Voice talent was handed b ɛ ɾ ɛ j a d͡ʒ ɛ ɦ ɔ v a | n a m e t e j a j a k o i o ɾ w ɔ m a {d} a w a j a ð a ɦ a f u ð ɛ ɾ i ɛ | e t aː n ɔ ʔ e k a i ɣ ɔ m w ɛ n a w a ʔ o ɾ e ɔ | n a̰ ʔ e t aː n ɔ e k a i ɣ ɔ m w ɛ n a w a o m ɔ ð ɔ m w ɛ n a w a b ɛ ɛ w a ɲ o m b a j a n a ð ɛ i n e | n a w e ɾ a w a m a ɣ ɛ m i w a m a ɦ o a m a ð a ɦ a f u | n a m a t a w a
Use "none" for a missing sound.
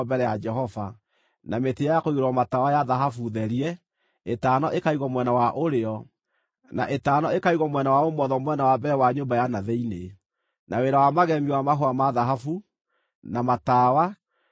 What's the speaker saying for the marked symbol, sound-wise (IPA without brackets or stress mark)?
t